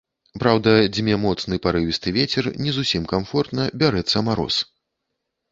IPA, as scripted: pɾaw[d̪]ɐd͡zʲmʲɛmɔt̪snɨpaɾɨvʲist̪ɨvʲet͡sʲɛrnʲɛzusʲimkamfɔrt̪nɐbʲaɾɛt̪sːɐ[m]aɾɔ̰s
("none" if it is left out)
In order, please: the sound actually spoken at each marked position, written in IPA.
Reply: d̪, m

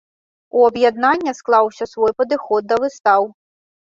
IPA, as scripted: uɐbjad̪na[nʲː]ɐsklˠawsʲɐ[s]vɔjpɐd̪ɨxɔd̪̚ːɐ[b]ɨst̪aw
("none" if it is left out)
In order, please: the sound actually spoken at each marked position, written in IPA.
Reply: nʲː, s, v

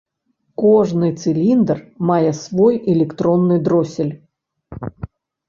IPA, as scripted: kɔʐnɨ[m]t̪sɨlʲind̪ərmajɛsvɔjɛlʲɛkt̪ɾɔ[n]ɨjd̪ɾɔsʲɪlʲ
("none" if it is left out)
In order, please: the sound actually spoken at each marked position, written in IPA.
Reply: none, nː

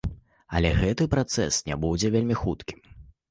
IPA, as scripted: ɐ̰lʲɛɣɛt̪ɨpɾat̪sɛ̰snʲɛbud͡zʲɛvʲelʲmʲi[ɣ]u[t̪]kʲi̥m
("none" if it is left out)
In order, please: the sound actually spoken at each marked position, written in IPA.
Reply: x, t̪

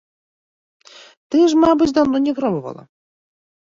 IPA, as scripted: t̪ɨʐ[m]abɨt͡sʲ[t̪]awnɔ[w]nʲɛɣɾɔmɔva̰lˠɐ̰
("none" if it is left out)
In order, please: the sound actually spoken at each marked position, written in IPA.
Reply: m, d̪, none

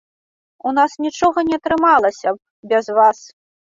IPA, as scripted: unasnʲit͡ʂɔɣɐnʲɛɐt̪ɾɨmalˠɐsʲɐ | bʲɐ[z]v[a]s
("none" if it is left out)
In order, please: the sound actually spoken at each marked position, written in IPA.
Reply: z, a

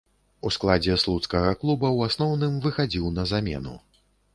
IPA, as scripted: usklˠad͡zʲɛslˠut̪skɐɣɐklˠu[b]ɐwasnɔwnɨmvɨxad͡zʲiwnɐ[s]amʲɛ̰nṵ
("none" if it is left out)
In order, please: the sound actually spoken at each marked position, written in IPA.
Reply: b, z

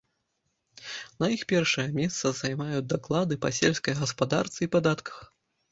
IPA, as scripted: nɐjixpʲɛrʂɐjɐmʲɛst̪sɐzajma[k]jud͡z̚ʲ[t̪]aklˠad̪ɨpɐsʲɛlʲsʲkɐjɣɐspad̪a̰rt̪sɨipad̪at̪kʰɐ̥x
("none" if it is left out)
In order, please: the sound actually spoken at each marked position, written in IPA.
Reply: none, d̪

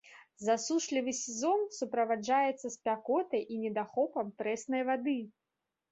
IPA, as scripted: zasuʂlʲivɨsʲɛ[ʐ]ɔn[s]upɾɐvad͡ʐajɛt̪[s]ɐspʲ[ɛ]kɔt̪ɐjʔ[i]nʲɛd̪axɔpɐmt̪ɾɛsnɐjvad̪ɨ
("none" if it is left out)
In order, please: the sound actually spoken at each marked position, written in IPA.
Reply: z, s, sː, a, i

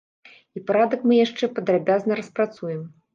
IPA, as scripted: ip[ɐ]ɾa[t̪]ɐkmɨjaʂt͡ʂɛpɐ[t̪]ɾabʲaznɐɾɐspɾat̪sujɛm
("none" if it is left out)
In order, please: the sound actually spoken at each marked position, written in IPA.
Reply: a, d̪, d̪

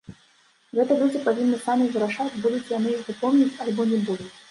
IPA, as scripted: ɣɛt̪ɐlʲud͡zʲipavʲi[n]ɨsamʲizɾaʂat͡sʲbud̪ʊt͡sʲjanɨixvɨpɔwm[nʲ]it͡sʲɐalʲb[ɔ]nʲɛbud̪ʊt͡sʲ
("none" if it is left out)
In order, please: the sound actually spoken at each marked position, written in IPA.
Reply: nː, nʲ, ɔ

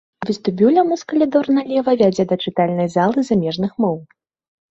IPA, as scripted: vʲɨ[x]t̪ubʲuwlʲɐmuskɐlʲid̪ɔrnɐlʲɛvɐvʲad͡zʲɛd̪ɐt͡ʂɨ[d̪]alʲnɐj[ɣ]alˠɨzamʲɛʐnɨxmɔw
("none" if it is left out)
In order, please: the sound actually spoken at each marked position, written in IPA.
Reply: s, t̪, z

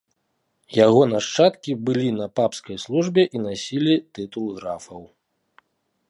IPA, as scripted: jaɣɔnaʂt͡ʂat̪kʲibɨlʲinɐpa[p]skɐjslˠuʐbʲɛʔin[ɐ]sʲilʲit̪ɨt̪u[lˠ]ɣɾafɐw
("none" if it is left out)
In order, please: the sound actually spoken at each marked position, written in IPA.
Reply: p, a, lˠ

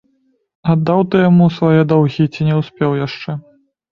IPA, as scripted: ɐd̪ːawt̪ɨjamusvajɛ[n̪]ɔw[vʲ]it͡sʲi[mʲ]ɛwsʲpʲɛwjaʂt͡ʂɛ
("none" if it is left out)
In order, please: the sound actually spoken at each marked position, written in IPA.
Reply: d̪, ɣʲ, nʲ

